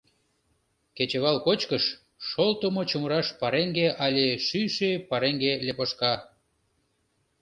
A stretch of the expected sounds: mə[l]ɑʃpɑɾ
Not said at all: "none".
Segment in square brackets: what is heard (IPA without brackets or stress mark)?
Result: ɾ